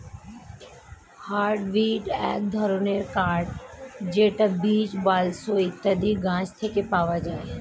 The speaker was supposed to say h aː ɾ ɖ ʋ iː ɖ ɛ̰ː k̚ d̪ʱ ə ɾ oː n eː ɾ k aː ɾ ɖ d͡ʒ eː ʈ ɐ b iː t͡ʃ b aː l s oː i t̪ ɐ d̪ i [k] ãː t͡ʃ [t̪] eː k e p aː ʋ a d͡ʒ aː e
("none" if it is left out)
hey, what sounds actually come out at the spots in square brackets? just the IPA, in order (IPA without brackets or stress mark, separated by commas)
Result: ɡ, t̪ʰ